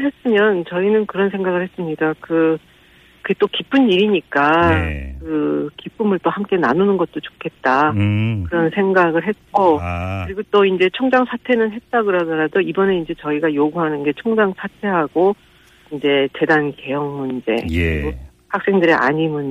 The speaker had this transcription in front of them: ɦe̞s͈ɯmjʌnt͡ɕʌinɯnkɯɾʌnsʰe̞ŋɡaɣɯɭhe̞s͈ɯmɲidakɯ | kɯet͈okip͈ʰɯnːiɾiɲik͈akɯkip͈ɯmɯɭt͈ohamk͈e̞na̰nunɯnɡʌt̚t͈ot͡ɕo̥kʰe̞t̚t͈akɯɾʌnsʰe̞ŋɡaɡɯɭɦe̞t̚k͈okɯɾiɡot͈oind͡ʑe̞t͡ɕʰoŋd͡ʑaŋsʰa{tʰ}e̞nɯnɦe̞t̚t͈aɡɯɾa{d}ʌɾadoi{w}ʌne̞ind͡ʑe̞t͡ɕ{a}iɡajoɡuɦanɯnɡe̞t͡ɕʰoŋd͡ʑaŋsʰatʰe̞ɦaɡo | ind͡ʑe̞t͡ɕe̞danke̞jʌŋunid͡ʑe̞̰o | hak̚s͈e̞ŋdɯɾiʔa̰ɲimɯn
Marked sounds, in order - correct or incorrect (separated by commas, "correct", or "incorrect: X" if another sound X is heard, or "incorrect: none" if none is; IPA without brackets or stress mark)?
correct, correct, incorrect: b, incorrect: ʌ